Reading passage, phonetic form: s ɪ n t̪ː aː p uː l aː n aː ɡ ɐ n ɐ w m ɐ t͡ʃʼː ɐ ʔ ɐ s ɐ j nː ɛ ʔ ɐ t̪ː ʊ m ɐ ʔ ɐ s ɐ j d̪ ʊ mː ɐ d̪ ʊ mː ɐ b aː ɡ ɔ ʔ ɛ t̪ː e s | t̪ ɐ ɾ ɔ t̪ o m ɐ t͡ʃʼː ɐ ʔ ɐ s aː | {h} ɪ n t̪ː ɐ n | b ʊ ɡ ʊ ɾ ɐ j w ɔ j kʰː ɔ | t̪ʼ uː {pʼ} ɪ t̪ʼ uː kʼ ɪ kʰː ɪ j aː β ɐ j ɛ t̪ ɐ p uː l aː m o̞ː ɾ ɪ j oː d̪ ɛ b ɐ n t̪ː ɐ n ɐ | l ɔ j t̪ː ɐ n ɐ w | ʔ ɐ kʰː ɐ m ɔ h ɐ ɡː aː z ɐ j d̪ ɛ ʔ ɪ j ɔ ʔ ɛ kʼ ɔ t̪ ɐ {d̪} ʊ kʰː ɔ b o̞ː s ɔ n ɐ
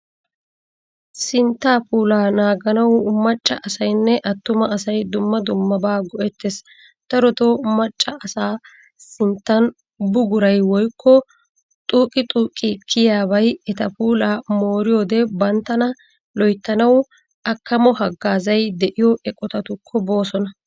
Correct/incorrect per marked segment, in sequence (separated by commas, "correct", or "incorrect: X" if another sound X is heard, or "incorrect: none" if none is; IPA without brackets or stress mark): incorrect: s, incorrect: kʼ, incorrect: t̪